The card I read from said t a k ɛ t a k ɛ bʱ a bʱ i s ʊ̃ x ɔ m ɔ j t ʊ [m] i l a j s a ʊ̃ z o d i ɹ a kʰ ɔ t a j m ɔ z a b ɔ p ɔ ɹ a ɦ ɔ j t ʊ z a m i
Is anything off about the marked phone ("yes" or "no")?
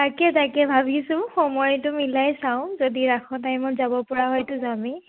no